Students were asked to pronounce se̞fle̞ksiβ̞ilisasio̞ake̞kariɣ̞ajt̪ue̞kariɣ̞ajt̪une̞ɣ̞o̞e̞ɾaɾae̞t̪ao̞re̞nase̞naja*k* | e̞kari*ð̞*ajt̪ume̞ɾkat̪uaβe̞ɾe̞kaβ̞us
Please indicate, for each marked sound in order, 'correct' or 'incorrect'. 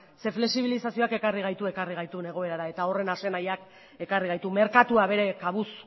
correct, incorrect

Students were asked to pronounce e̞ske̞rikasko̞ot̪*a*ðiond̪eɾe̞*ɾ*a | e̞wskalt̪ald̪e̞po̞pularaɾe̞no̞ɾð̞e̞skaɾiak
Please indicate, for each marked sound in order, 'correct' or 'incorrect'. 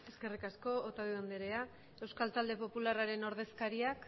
correct, incorrect

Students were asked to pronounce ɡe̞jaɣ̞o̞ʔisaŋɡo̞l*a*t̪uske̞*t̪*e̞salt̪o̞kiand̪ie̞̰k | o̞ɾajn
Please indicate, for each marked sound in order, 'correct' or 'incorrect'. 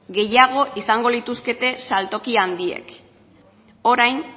incorrect, correct

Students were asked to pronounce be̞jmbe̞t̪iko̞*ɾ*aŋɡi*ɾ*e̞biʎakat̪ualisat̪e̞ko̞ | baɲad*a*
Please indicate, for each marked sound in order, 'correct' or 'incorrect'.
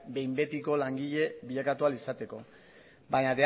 incorrect, incorrect, incorrect

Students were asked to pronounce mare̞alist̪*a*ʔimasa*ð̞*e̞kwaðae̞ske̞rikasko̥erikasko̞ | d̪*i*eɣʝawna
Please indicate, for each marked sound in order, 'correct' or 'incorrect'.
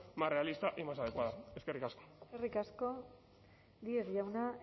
correct, correct, correct

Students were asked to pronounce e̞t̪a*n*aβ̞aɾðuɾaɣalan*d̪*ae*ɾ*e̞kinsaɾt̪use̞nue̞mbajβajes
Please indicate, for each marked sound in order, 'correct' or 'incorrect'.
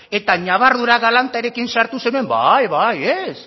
incorrect, incorrect, correct

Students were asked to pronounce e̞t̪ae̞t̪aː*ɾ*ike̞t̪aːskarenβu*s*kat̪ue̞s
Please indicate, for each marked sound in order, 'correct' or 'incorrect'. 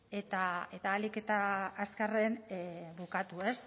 incorrect, incorrect

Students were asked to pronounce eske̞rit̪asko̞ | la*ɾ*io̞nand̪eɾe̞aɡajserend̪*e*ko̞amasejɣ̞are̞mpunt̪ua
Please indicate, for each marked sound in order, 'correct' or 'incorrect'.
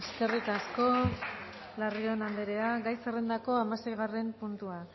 incorrect, incorrect

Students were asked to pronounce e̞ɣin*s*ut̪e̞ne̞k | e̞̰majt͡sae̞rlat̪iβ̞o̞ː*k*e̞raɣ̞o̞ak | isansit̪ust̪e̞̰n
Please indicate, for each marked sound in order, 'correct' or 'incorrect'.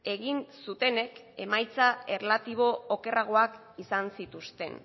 correct, correct

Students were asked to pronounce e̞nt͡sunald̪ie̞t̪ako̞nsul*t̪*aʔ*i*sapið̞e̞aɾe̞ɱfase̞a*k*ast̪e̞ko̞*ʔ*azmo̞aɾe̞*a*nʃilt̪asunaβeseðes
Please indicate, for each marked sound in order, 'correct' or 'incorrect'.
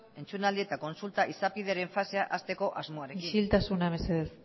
correct, correct, incorrect, correct, incorrect

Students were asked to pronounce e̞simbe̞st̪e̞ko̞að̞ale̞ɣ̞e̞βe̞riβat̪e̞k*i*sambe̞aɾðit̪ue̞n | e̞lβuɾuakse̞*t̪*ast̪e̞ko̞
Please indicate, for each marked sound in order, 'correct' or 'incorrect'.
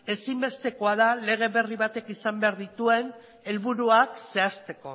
correct, incorrect

